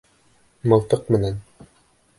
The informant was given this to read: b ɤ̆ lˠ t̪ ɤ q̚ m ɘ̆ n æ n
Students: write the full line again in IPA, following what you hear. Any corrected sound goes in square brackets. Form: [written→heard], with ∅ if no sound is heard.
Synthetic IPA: [b→m] ɤ̆ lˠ t̪ ɤ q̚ m ɘ̆ n æ n